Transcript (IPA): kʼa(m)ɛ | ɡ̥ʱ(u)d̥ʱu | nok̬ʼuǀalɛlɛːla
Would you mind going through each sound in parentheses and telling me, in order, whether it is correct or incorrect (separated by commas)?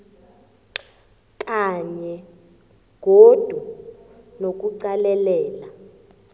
incorrect, incorrect